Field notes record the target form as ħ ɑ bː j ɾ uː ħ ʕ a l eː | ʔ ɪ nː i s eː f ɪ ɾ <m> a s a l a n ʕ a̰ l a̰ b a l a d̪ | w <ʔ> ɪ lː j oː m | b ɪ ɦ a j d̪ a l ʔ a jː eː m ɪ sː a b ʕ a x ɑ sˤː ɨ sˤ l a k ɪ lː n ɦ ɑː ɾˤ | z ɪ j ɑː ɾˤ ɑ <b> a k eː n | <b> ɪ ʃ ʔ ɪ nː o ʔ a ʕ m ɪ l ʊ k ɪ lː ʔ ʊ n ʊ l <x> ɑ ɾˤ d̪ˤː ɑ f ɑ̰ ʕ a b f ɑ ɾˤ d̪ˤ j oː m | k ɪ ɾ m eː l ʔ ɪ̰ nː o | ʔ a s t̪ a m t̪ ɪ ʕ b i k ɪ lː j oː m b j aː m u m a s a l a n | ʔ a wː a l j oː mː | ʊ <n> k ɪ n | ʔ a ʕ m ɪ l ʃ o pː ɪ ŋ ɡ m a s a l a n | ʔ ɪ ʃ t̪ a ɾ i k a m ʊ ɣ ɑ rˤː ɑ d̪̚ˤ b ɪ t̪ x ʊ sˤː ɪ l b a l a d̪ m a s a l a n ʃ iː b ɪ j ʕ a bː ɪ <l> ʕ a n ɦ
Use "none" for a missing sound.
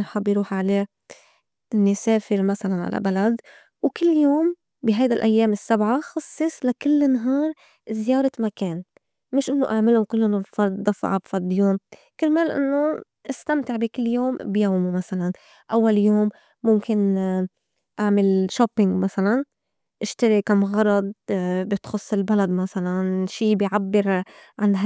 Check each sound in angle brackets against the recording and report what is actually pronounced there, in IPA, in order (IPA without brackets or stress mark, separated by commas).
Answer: m, k, m, m, f, m, ɾ